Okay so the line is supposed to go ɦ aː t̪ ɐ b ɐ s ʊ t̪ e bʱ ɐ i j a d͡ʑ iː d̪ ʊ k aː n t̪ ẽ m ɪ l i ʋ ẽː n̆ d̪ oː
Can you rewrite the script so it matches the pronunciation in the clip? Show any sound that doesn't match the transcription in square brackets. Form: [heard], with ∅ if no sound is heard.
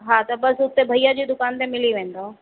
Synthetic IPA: ɦ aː t̪ ɐ b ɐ s ʊ t̪ e bʱ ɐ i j a d͡ʑ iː d̪ ʊ k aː n t̪ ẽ m ɪ l i ʋ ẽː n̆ d̪ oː

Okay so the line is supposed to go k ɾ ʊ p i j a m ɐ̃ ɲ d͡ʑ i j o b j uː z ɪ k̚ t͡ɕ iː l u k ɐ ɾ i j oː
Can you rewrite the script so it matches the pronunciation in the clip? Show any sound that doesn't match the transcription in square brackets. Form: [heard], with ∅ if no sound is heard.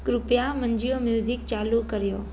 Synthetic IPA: k ɾ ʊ p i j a m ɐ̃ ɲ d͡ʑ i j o [m] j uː z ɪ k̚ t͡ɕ [aː] l u k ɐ ɾ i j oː

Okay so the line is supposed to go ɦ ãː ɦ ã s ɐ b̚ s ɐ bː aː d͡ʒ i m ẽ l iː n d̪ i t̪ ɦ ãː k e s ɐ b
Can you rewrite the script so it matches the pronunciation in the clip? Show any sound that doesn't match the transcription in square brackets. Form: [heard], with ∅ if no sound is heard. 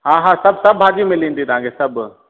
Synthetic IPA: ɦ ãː ɦ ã s ɐ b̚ s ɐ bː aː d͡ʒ i m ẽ l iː n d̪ i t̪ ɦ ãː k e s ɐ b

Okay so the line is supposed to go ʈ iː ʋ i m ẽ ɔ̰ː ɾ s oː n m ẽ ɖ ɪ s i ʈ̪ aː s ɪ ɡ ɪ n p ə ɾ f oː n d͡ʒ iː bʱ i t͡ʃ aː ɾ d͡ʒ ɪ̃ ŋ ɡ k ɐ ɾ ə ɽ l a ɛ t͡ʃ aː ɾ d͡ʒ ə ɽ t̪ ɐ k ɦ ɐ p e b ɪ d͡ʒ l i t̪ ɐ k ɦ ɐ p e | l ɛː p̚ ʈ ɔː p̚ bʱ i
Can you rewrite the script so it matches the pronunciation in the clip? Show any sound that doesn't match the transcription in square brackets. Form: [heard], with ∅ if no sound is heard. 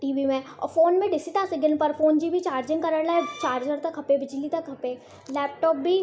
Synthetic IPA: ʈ iː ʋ i m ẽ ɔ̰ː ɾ [f] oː n m ẽ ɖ ɪ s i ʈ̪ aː s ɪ ɡ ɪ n p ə ɾ f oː n d͡ʒ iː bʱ i t͡ʃ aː ɾ d͡ʒ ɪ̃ ŋ ɡ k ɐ ɾ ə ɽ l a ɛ t͡ʃ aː ɾ d͡ʒ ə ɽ t̪ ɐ k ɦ ɐ p e b ɪ d͡ʒ l i t̪ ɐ k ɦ ɐ p e | l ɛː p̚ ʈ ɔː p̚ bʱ i

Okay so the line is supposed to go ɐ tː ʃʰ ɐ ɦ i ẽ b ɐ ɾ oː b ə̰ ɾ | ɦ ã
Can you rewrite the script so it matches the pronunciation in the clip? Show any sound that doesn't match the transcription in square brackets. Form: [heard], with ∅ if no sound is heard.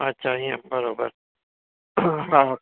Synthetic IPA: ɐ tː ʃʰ [a] ɦ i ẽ b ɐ ɾ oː b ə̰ ɾ | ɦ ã

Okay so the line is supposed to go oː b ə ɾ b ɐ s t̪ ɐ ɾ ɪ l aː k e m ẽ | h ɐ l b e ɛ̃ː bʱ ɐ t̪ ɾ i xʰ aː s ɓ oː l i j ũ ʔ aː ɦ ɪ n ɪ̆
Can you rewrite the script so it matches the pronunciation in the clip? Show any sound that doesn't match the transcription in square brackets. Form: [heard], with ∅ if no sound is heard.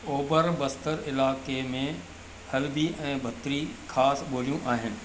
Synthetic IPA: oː b ə ɾ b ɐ s t̪ [ə] ɾ ɪ l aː k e m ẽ | h ɐ l b [i] ɛ̃ː bʱ ɐ t̪ ɾ i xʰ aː s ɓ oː l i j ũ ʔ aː ɦ ɪ n ɪ̆

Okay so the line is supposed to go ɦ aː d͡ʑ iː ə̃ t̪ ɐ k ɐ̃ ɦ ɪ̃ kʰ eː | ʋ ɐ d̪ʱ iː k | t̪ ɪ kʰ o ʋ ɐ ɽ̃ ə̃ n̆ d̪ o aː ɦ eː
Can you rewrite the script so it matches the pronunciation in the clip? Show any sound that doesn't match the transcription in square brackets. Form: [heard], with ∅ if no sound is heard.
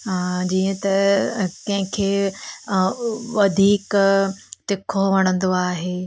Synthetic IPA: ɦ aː d͡ʑ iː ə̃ t̪ ɐ k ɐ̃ ɦ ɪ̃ kʰ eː | ʋ ɐ d̪ʱ iː k | t̪ ɪ kʰ o ʋ ɐ ɽ̃ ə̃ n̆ d̪ o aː ɦ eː

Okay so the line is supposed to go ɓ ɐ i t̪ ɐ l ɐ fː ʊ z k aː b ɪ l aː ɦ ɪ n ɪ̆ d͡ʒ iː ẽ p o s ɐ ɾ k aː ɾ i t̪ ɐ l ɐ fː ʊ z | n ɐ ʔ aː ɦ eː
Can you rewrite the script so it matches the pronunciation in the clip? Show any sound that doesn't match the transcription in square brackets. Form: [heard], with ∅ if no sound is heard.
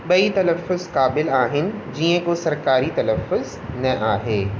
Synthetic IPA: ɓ ɐ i t̪ ɐ l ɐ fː ʊ z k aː b ɪ l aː ɦ ɪ n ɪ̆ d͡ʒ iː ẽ [k] o s ɐ ɾ k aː ɾ i t̪ ɐ l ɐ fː ʊ z | n ɐ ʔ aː ɦ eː

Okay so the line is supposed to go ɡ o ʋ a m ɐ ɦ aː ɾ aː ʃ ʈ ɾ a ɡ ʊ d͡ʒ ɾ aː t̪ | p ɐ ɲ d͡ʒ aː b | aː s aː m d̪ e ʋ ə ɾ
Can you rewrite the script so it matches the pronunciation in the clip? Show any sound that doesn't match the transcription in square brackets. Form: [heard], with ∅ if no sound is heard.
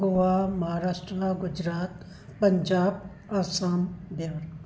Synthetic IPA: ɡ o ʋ a m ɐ ɦ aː ɾ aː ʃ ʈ ɾ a ɡ ʊ d͡ʒ ɾ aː t̪ | p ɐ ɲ d͡ʒ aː b | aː s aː m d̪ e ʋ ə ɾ

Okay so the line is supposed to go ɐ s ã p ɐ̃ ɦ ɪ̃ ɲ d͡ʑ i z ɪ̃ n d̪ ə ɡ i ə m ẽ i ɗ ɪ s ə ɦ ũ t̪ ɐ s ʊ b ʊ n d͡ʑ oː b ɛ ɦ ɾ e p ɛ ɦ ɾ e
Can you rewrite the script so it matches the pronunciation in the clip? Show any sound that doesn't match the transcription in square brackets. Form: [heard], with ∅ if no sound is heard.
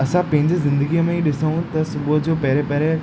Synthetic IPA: ɐ s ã p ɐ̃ ɦ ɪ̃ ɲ d͡ʑ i z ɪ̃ n d̪ ə ɡ i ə m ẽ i ɗ ɪ s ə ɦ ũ t̪ ɐ s ʊ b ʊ [∅] d͡ʑ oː [p] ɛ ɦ ɾ e p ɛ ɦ ɾ e

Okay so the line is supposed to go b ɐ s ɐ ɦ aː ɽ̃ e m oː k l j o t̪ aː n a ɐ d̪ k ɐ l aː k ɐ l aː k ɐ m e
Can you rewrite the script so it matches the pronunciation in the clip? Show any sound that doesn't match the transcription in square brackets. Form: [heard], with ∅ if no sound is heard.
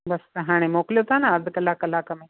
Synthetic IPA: b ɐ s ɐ ɦ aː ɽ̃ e m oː k l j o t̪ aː n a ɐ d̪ k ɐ l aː k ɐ l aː k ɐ m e

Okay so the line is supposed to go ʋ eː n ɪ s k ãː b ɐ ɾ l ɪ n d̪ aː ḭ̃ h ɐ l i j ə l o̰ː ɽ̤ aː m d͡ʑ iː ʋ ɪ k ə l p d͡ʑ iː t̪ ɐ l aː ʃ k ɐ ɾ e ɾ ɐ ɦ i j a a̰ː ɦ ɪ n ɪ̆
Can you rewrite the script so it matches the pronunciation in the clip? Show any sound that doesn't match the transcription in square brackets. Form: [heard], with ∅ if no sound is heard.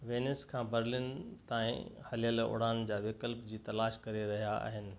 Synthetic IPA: ʋ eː n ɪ s [kʰ] ãː b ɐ ɾ l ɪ n [t̪] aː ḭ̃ h ɐ l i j ə l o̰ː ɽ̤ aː [n] d͡ʑ [aː] ʋ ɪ k ə l p d͡ʑ iː t̪ ɐ l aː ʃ k ɐ ɾ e ɾ ɐ ɦ i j a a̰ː ɦ ɪ n ɪ̆

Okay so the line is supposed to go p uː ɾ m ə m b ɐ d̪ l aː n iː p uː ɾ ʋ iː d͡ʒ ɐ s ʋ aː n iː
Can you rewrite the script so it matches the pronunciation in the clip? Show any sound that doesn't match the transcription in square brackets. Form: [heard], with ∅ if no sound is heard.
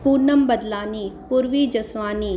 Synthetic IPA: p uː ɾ [n] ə m b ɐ d̪ l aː n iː p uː ɾ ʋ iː d͡ʒ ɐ s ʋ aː n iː

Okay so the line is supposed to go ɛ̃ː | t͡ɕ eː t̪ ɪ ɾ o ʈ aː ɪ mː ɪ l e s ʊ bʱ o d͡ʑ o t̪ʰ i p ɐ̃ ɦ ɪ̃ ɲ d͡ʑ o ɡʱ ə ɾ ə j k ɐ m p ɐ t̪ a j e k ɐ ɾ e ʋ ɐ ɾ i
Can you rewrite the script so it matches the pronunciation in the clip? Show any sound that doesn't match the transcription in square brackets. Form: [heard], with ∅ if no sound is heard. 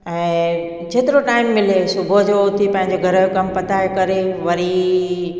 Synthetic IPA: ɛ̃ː | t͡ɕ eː t̪ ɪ ɾ o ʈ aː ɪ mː ɪ l e s ʊ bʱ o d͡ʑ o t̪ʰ i p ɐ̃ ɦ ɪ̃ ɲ d͡ʑ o ɡʱ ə ɾ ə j k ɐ m p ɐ t̪ a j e k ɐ ɾ e ʋ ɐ ɾ i

